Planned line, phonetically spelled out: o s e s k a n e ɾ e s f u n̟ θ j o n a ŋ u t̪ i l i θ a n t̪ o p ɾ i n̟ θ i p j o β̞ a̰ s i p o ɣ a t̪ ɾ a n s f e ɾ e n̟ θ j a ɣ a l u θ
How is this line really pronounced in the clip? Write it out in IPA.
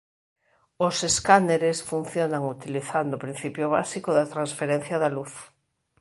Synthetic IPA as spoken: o s e s k a n e ɾ e s f u n̟ θ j o n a ŋ u t̪ i l i θ a n d̪ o p ɾ i n̟ θ i p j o β̞ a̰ s i k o ð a t̪ ɾ a n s f e ɾ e n̟ θ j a ð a l u θ

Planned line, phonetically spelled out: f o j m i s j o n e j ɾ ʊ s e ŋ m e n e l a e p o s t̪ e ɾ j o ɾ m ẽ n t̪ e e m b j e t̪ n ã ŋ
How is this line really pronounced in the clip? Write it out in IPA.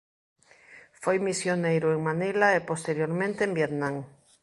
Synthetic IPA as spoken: f o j m i s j o n e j ɾ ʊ e ŋ m a n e l a e p o s t̪ e ɾ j o ɾ m ẽ n t̪ e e m b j e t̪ n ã ŋ

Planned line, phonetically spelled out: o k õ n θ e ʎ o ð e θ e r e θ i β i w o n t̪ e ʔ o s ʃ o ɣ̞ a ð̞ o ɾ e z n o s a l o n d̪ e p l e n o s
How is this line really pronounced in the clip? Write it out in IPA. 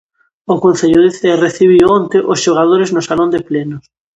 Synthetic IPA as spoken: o k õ n θ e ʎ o ð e θ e r e θ i β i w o n t̪ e ʔ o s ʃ o ɣ̞ a ð̞ o ɾ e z n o s a l o n d̪ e p l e n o s

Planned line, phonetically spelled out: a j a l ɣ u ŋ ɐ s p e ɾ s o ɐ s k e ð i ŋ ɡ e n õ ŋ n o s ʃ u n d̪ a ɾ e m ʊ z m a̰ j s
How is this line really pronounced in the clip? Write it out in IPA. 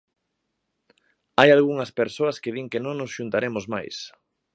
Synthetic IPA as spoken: a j a l ɣ u ŋ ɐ s p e ɾ s o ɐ s k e ð i ŋ k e n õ ŋ n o s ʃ u n t̪ a ɾ e m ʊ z m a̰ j s

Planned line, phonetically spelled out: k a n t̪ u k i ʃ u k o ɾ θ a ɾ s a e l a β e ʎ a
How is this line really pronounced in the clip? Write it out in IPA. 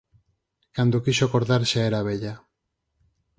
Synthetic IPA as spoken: k a n d̪ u k i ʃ o k o ɾ ð a ɾ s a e ɾ a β e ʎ a

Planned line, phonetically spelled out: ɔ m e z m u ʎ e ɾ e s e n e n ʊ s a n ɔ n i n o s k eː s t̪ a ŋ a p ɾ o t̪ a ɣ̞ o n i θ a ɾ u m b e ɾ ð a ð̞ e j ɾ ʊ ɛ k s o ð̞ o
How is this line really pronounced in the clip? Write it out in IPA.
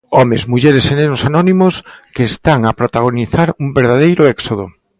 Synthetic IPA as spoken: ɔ m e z m u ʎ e ɾ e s e n e n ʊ s a n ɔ n i m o s k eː s t̪ a ŋ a p ɾ o t̪ a ɣ̞ o n i θ a ɾ u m b e ɾ ð a ð̞ e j ɾ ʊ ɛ k s o ð̞ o

